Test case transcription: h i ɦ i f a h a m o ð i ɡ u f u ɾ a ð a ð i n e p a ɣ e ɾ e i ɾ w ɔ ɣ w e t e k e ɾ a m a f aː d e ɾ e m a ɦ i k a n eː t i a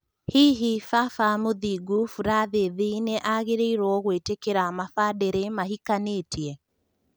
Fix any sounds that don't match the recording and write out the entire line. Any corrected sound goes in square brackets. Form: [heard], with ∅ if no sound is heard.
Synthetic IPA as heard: h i ɦ i f a [f] a m o ð i ɡ u f u ɾ a ð [e] ð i n e [ʔ] a ɣ e ɾ e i ɾ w ɔ ɣ w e t e k e ɾ a m a f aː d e ɾ e m a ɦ i k a n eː t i [ɛ]